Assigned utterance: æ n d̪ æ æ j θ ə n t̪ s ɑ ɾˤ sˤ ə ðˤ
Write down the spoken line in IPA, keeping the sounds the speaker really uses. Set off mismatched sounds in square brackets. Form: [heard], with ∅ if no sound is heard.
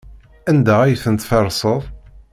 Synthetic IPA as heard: æ n d̪ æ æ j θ ə n t̪ [f] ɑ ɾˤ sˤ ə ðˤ

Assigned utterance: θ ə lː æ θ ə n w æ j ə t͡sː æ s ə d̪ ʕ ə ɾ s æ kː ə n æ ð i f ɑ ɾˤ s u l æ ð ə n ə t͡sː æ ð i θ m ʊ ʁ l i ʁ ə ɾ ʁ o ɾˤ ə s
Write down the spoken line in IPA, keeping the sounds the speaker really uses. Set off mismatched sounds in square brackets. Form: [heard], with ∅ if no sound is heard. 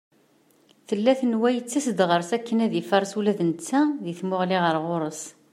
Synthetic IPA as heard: θ ə lː æ θ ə n w æ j ə t͡sː æ s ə d̪ [ʁ] ə ɾ s æ kː ə n æ ð i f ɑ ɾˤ s u l æ ð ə n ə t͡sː æ ð i θ m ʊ ʁ l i ʁ ə ɾ ʁ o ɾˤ ə s

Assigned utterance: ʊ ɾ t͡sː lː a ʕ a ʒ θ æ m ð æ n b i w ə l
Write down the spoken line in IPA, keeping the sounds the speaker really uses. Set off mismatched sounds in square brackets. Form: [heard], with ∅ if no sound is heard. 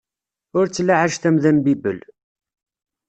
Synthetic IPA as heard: ʊ ɾ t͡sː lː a ʕ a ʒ θ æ m ð æ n b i [b] ə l

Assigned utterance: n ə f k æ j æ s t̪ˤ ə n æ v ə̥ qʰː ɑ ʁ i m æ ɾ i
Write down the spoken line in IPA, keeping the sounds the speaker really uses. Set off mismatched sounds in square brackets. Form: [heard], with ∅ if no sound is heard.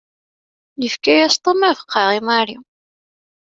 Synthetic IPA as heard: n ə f k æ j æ s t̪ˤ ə [m] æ v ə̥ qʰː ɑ ʁ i m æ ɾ i

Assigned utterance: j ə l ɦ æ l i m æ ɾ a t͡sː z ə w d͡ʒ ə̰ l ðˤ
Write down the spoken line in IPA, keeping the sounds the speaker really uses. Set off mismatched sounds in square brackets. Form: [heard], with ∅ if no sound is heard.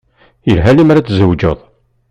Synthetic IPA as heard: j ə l ɦ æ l i m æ ɾ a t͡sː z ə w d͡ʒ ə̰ [∅] ðˤ

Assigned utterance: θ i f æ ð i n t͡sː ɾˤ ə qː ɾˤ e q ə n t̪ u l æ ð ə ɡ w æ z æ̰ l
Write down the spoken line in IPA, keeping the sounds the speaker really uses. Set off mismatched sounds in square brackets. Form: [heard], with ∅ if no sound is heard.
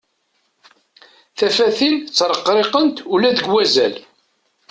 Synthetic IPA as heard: θ [æ] f æ [θ] i n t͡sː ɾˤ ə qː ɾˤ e q ə n t̪ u l æ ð ə ɡ w æ z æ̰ l

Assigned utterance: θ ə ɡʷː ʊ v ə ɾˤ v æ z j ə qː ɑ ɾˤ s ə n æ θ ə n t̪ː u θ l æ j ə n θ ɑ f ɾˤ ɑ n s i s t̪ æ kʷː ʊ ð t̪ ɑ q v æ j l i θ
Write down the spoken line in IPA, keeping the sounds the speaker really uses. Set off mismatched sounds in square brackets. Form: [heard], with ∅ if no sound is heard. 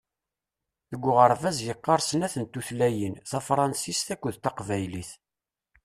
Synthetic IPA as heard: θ ə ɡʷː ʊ [ʁ] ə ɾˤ v æ z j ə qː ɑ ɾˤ s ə n æ θ ə n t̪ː u θ l æ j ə n θ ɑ f ɾˤ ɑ n s i s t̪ æ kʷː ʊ ð t̪ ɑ q v æ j l i θ

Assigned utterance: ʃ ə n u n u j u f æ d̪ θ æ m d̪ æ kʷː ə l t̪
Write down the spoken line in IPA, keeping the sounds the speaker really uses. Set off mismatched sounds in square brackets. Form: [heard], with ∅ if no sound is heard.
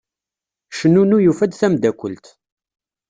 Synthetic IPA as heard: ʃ ə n u n u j u f æ d̪ θ æ m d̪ æ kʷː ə l t̪

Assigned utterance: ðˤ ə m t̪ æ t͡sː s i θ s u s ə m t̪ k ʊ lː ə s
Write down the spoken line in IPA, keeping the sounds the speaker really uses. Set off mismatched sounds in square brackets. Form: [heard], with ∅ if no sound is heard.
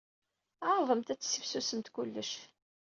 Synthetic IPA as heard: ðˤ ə m t̪ æ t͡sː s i [f] s u s ə m t̪ k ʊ lː ə [ʃ]

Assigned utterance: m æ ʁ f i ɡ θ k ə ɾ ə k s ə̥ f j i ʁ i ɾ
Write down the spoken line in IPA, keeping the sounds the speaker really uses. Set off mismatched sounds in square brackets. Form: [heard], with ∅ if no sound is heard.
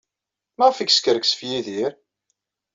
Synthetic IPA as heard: m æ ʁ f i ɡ [s] k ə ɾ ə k s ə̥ f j i [ð] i ɾ

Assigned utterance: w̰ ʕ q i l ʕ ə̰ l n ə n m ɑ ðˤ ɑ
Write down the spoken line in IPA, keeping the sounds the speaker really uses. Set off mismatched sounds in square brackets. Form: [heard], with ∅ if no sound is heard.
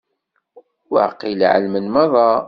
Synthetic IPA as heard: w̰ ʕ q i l ʕ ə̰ l [m] ə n m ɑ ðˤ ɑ

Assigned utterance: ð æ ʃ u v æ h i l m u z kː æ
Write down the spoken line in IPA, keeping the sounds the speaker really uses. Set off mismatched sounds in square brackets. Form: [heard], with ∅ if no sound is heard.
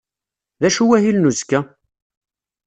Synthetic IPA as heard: ð æ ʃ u [w] æ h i l [n] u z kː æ

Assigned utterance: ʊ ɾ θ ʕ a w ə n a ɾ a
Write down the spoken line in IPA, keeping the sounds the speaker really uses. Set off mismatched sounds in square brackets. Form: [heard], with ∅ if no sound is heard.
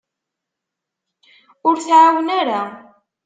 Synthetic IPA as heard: ʊ ɾ θ ʕ a w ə n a ɾ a

